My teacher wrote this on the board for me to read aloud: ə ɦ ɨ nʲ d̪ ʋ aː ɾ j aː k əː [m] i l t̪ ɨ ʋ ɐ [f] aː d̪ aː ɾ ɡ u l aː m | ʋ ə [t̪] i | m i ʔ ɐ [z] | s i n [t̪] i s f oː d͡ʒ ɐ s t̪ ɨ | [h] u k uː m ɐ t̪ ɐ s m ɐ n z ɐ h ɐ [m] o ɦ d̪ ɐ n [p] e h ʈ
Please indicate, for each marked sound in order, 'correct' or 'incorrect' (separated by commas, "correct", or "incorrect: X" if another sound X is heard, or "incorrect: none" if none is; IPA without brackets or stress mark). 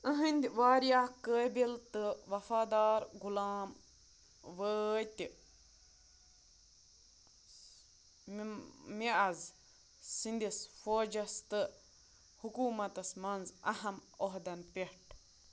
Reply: incorrect: b, correct, correct, correct, incorrect: d̪, correct, correct, correct